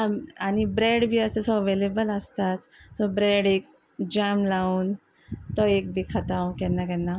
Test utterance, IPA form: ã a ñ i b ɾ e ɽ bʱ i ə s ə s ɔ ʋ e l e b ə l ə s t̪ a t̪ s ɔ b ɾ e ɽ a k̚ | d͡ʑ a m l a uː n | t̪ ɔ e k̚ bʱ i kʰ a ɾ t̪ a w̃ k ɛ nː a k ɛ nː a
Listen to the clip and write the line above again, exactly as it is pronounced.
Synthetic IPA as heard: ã a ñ i b ɾ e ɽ bʱ i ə s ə s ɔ ʋ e l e b ə l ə s t̪ a t̪ s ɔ b ɾ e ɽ e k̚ | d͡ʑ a m l a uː n | t̪ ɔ e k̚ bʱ i kʰ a t̪ a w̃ k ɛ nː a k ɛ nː a